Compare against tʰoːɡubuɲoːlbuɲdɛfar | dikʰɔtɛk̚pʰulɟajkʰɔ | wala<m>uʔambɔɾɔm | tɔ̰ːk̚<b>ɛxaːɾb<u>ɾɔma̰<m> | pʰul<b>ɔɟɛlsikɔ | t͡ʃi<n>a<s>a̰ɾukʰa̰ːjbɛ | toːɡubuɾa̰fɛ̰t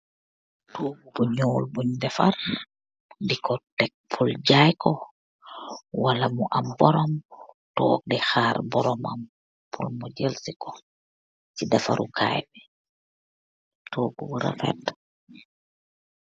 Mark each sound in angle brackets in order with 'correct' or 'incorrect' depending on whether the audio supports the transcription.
correct, incorrect, incorrect, correct, incorrect, incorrect, incorrect

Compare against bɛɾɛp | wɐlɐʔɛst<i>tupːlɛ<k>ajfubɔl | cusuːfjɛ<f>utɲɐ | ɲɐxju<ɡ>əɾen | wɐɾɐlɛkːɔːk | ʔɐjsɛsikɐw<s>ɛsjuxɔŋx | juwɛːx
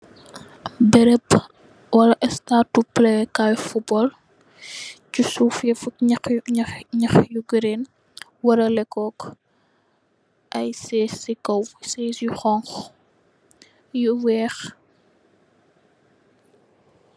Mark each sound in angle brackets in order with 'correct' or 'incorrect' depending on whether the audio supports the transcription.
incorrect, correct, correct, correct, correct

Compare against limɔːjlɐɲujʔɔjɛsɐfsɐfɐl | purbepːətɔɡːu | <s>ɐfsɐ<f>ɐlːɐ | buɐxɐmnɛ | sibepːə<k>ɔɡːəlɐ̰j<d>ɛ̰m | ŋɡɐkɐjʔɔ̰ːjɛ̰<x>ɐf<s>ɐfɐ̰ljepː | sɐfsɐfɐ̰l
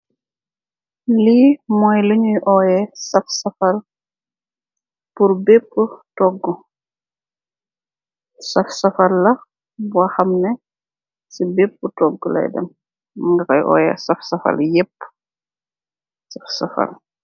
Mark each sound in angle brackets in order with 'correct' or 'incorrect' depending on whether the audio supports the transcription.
correct, correct, incorrect, correct, incorrect, correct

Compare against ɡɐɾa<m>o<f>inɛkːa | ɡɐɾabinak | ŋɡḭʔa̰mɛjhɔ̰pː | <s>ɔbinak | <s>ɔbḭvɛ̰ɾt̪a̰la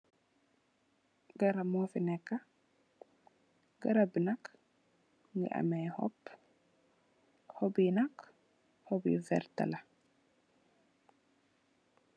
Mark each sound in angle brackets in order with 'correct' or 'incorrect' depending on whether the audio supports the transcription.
correct, correct, incorrect, incorrect

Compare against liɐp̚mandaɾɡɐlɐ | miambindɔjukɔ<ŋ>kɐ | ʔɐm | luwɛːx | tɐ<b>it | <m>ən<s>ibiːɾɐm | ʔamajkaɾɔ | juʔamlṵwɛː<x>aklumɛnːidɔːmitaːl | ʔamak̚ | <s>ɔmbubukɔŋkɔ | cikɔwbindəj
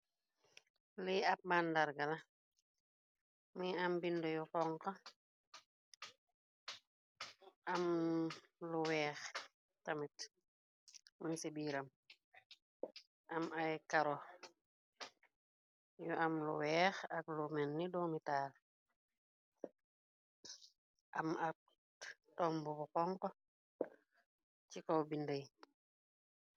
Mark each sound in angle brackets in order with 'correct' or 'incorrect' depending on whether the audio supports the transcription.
correct, incorrect, correct, correct, correct, incorrect

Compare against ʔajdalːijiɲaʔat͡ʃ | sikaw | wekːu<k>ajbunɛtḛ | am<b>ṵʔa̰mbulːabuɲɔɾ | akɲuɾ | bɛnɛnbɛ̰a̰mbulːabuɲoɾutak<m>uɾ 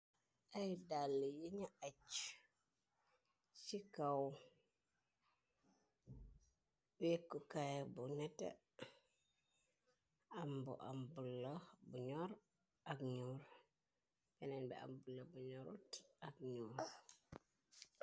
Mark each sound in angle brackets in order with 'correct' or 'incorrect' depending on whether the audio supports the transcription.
correct, correct, incorrect

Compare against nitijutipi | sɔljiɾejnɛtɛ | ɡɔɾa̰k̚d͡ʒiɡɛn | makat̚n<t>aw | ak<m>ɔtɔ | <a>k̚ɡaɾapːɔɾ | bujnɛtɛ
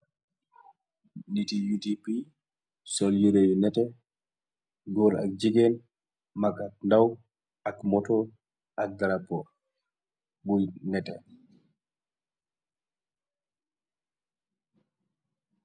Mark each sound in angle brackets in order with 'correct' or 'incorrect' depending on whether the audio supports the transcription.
incorrect, correct, correct

